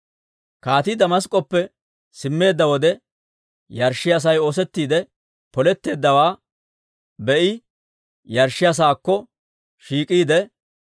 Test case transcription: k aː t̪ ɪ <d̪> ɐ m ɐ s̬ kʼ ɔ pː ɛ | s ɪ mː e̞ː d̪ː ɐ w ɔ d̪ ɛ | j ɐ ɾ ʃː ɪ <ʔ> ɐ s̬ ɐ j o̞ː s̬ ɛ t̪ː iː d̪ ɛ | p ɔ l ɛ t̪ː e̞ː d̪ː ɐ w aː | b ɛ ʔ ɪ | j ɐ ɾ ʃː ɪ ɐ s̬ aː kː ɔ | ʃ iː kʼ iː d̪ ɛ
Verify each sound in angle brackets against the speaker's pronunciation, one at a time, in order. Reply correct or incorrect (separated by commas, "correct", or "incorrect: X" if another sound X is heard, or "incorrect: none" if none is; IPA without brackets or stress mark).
correct, incorrect: none